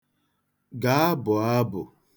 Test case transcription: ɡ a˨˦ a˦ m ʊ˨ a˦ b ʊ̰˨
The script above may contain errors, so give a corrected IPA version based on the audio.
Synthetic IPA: ɡ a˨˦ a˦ b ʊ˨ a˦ b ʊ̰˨